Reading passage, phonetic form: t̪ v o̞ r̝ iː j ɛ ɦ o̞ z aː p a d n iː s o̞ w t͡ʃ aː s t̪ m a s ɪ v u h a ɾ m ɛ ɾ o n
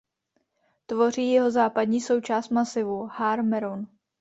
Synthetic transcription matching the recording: t̪ v o̞ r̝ iː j ɛ ɦ o̞ z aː p a d ɲ iː s o̞ w t͡ʃ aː s t̪ m a s ɪ v u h a ɾ m ɛ ɾ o n